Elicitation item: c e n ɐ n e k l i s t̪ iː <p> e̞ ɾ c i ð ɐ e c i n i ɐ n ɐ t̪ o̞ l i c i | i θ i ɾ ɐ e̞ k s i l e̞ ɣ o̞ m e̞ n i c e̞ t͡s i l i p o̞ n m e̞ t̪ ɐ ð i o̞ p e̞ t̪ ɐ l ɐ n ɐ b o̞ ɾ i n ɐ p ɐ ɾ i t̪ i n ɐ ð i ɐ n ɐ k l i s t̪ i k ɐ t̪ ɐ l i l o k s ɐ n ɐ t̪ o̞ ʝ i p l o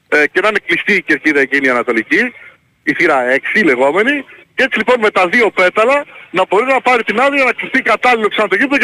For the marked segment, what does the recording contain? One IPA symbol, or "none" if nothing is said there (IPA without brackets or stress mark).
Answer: c